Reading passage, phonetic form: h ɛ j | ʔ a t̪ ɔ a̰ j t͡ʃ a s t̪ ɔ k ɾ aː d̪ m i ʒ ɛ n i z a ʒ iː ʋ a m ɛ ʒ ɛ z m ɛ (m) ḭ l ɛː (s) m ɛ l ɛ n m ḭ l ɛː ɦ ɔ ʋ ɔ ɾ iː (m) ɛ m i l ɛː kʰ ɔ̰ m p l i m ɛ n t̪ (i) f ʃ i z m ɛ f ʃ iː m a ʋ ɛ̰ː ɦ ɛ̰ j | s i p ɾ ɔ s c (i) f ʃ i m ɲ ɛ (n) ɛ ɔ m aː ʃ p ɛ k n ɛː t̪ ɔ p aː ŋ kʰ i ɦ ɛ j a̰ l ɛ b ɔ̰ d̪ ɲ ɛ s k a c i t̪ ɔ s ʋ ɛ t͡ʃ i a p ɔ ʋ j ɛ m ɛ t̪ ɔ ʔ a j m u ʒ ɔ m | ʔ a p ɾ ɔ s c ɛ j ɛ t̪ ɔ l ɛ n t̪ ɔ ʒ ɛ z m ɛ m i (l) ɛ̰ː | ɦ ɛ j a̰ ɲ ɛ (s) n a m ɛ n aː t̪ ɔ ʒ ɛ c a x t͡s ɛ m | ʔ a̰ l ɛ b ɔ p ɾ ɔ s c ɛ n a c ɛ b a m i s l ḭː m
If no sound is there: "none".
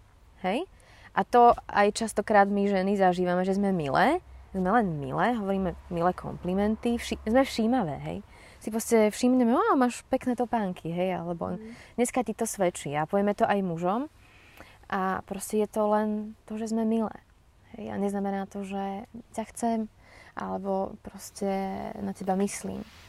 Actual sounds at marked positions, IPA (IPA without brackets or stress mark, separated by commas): m, z, m, i, ɛ, m, l, z